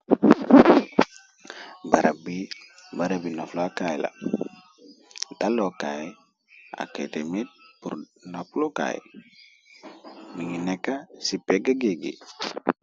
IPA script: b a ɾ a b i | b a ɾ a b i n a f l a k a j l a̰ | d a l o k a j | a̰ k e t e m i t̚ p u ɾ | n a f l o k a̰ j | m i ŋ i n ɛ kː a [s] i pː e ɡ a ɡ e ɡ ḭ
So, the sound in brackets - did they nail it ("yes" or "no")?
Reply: yes